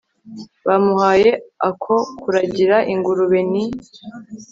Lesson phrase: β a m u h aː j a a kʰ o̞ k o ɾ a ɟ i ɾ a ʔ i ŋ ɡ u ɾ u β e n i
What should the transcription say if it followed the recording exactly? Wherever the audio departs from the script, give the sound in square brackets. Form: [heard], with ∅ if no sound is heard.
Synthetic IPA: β a m u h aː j [e] a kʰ o̞ k [u] ɾ a ɟ i ɾ a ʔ i ŋ ɡ u ɾ u β e n i